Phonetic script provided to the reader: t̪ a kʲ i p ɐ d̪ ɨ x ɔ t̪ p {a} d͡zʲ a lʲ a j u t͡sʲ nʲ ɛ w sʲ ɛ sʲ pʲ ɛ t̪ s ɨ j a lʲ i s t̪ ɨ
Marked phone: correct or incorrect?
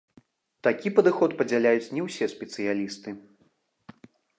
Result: incorrect